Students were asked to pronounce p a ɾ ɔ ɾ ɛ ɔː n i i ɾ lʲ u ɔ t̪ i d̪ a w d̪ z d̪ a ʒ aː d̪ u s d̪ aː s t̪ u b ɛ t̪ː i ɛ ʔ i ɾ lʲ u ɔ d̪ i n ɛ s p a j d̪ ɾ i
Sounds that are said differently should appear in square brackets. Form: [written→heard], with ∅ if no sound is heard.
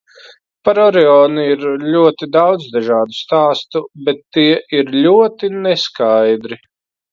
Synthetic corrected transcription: p a ɾ ɔ ɾ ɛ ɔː n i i ɾ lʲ u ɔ t̪ i d̪ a w d̪ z d̪ a ʒ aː d̪ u s [d̪→t̪] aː s t̪ u b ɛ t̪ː i ɛ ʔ i ɾ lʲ u ɔ [d̪→t̪] i n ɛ s [p→k] a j d̪ ɾ i